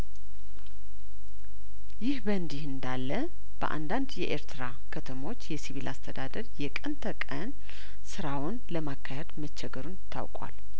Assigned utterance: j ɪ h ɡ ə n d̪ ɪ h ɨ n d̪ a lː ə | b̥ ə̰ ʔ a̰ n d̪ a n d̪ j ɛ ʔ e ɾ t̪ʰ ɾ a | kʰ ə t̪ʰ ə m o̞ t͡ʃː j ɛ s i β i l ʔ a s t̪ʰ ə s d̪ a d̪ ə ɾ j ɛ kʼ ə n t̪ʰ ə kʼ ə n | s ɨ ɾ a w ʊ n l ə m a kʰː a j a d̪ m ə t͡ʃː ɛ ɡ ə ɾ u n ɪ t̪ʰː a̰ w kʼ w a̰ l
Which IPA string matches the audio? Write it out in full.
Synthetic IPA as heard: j ɪ h b ə n d̪ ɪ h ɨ n d̪ a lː ə | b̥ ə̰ ʔ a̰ n d̪ a n d̪ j ɛ ʔ e ɾ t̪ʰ ɾ a | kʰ ə t̪ʰ ə m o̞ t͡ʃː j ɛ s i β i l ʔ a s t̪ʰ ə d̪ a d̪ ə ɾ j ɛ kʼ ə n t̪ʰ ə kʼ ə n | s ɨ ɾ a w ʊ n l ə m a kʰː a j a d̪ m ə t͡ʃː ɛ ɡ ə ɾ u n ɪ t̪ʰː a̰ w kʼ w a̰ l